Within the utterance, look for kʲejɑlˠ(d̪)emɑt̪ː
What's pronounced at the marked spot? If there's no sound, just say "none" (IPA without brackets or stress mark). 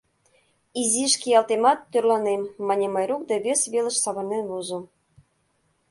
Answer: t̪